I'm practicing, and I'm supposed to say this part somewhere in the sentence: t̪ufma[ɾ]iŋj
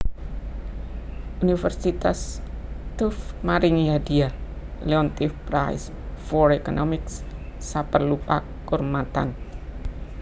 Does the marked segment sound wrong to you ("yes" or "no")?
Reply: no